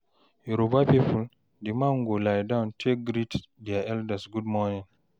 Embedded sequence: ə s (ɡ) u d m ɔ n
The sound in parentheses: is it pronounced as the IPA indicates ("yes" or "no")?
yes